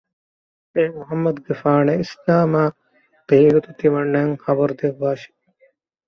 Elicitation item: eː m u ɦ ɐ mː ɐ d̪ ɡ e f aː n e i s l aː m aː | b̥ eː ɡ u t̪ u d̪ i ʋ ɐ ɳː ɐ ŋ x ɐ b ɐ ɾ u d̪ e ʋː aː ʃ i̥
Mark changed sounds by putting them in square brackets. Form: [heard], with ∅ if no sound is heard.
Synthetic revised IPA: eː m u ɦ ɐ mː ɐ d̪ ɡ e f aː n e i s l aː m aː | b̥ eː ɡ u t̪ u [t̪] i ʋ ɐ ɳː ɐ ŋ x ɐ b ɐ ɾ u d̪ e ʋː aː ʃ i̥